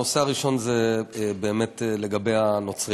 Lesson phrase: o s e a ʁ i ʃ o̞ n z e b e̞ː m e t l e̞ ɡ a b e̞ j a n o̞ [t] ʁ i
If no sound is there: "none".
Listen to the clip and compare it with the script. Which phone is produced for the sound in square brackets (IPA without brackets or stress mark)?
t͡s